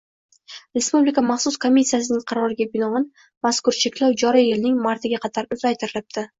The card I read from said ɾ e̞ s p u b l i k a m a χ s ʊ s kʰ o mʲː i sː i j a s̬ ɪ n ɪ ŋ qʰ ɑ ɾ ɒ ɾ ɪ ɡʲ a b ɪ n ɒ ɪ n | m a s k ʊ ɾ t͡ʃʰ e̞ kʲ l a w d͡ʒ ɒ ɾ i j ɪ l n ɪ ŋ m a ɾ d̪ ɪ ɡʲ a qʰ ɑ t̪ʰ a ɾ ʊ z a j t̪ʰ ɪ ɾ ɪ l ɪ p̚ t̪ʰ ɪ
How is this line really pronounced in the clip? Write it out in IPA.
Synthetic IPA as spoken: ɾ e̞ s p u b l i k a m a χ s ʊ s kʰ o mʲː i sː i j a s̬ ɪ n ɪ ŋ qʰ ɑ ɾ ɒ ɾ ɪ ɡʲ a b ɪ n ɒ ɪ n | m a s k ʊ ɾ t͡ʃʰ e̞ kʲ l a w d͡ʒ ɒ ɾ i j ɪ l n ɪ ŋ m a ɾ t̪ ɪ ɡʲ a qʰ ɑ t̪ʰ a ɾ ʊ z a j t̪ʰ ɪ ɾ ɪ l ɪ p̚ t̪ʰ ɪ